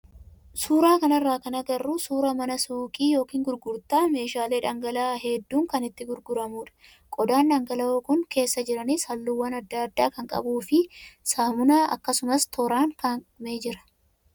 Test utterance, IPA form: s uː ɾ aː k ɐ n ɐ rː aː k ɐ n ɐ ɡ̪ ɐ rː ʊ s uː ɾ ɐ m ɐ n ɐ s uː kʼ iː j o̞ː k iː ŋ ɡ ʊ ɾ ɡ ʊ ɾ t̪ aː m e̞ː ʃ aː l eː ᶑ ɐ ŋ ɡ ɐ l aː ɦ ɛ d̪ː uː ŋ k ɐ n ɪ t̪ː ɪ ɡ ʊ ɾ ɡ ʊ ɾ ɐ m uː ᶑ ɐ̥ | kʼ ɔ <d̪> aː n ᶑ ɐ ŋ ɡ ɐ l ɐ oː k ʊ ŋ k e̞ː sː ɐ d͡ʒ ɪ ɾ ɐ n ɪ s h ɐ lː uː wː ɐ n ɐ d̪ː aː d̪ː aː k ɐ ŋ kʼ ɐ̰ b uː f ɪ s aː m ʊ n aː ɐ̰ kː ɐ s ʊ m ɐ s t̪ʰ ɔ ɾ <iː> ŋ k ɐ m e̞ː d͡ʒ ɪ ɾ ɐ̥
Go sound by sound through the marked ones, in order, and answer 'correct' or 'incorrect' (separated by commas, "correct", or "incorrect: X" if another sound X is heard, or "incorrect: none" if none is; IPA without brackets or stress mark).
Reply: correct, incorrect: aː